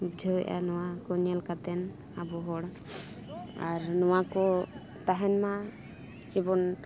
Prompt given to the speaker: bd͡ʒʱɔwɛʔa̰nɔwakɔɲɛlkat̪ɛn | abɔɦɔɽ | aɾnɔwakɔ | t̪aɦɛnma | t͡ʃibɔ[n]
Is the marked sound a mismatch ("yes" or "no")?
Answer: no